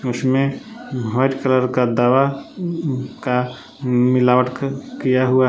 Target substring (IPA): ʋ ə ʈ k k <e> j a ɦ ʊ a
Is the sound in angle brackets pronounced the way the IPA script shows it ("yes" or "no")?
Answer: no